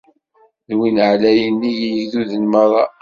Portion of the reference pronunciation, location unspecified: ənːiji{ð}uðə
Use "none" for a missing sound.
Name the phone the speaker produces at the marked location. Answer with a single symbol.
ð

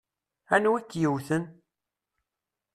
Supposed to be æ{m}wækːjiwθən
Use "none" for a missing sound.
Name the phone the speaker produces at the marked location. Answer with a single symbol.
n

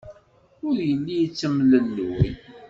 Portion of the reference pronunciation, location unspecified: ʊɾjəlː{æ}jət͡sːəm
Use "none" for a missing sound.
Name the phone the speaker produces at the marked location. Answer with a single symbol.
i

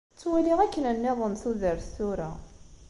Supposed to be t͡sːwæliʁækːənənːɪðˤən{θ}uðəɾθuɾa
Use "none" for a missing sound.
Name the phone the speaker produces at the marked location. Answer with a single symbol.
θ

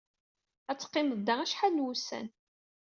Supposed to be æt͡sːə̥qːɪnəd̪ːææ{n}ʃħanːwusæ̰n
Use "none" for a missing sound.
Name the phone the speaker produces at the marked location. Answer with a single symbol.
none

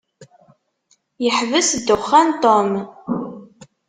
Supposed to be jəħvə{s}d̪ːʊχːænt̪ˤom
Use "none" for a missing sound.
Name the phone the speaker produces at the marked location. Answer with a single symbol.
s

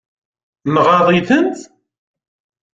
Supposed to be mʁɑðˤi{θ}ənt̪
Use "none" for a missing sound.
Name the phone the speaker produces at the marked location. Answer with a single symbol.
θ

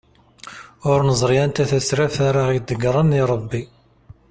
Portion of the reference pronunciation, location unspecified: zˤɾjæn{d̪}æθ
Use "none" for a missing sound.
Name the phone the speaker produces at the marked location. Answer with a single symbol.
t̪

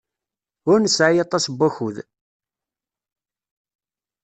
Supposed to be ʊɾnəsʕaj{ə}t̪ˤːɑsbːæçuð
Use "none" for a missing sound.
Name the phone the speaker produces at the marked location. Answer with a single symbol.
ɑ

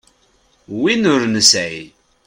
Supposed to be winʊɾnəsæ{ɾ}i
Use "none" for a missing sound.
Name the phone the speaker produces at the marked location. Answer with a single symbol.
none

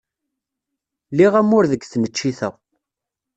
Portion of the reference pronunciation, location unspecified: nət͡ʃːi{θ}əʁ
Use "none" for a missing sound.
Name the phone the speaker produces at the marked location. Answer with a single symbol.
θ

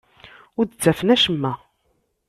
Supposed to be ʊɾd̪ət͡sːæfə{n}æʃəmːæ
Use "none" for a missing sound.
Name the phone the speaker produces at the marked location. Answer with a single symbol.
n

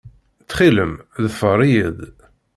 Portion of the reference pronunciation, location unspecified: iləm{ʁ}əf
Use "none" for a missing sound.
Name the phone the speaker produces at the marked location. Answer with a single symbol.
ð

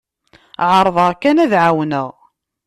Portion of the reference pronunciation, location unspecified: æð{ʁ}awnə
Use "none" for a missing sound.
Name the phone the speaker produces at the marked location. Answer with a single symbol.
ʕ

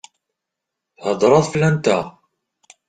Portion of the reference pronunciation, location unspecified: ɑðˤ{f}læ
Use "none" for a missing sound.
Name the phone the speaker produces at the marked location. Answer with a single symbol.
f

